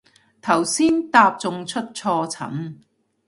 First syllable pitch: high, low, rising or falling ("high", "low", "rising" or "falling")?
low